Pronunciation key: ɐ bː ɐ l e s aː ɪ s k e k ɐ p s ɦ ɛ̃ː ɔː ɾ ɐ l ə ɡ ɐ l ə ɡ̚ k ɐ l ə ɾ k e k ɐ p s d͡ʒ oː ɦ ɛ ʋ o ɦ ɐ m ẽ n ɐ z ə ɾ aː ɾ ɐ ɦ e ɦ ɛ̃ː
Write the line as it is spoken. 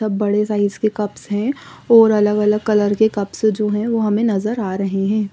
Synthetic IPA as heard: ɐ bː ɐ ɽ e s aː ɪ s k e k ɐ p s ɦ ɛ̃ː ɔː ɾ ɐ l ə ɡ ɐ l ə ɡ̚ k ɐ l ə ɾ k e k ɐ p s d͡ʒ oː ɦ ɛ̃ ʋ o ɦ ɐ m ẽ n ɐ z ə ɾ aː ɾ ɐ ɦ e ɦ ɛ̃ː